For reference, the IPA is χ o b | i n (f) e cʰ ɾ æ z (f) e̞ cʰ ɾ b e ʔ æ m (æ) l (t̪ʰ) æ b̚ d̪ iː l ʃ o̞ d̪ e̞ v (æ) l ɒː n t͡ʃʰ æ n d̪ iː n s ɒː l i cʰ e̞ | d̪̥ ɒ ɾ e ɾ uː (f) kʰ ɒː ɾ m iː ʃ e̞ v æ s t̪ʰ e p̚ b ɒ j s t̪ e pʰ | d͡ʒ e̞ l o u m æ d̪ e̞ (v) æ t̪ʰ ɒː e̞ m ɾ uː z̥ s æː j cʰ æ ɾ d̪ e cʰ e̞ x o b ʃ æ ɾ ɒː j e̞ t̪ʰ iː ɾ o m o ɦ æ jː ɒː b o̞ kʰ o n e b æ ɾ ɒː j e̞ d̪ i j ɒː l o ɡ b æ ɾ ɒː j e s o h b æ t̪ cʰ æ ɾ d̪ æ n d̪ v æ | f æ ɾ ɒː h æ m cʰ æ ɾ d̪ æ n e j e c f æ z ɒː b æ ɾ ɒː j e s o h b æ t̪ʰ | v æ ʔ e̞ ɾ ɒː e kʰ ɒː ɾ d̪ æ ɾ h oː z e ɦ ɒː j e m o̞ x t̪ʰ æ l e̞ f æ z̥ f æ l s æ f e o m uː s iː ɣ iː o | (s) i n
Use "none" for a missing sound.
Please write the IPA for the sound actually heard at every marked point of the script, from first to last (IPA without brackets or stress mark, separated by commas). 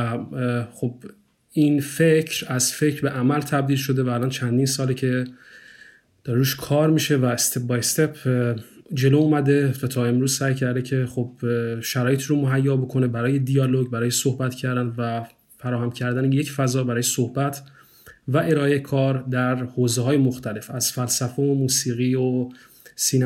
f, f, æ, t̪ʰ, æː, ʃ, v, s